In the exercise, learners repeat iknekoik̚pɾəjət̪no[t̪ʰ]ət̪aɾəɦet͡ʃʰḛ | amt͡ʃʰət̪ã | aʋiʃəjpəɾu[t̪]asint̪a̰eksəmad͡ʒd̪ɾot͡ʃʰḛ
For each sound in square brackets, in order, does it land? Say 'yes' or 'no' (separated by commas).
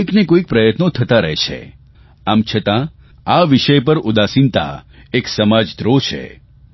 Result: yes, no